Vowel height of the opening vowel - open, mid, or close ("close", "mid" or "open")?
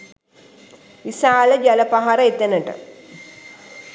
close